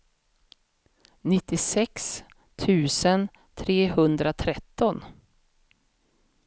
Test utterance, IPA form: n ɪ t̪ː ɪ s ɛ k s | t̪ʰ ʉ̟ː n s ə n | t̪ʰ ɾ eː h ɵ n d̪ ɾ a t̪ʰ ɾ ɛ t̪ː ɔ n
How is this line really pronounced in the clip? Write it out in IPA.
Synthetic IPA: n ɪ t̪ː ɪ s ɛ k s | t̪ʰ ʉ̟ː s ə n | t̪ʰ ɾ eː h ɵ n d̪ ɾ a t̪ʰ ɾ ɛ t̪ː ɔ n